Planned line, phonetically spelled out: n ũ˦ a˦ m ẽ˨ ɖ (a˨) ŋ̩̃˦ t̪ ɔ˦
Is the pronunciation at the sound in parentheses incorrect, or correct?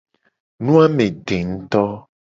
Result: incorrect: e˨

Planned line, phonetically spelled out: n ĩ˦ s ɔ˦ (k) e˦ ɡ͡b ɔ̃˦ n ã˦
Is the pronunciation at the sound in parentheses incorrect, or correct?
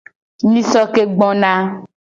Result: correct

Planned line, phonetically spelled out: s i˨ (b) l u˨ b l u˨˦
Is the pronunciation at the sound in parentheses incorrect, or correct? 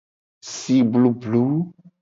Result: correct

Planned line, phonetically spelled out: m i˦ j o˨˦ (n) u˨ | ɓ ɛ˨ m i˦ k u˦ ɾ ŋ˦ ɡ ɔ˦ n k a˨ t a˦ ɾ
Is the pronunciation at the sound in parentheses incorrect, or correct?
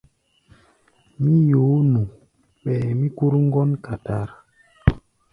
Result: correct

